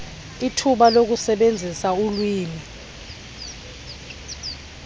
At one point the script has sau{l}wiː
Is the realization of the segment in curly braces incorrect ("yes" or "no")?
no